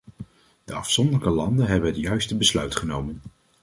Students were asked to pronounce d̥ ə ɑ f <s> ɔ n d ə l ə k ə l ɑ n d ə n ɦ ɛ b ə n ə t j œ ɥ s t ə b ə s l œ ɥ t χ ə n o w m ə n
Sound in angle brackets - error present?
no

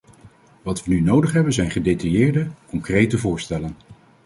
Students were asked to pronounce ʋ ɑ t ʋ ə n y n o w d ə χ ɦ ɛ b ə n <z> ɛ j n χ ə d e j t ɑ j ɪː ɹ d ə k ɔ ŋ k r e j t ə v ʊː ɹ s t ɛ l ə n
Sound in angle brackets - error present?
no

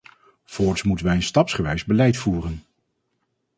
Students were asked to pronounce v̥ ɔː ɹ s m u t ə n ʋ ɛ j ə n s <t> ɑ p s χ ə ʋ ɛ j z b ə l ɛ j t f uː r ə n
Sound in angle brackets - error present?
no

